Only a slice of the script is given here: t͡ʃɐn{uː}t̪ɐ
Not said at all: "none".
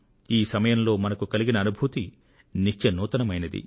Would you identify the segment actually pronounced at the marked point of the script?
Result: uː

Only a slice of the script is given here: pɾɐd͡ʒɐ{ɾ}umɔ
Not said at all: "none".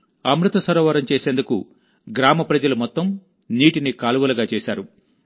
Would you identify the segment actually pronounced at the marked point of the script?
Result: l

